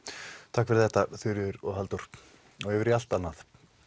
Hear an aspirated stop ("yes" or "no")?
yes